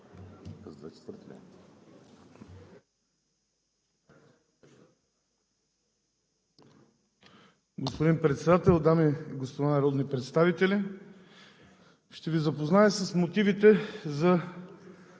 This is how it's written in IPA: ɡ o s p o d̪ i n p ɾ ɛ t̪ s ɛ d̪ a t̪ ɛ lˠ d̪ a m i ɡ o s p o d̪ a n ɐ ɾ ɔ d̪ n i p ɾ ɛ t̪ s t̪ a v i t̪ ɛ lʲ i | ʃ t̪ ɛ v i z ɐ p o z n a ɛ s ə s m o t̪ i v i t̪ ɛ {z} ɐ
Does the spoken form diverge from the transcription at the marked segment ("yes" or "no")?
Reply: no